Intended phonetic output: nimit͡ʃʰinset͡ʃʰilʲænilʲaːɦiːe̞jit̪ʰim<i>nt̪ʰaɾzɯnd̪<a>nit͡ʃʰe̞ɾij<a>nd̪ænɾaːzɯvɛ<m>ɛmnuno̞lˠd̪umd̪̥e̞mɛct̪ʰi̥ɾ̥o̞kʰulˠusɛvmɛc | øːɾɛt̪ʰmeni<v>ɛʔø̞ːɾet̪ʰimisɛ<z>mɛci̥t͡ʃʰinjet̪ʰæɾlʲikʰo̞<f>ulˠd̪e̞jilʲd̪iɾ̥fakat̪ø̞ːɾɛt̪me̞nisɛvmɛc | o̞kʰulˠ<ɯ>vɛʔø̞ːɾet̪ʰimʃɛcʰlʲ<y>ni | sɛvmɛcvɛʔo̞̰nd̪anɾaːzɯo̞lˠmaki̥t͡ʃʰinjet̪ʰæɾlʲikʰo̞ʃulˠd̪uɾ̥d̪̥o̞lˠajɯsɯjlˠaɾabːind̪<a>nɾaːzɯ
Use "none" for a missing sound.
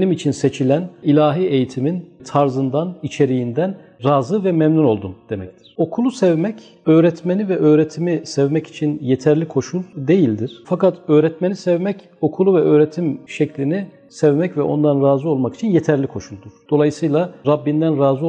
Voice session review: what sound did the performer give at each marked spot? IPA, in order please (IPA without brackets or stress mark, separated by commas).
i, a, i, m, v, v, ʃ, u, i, æ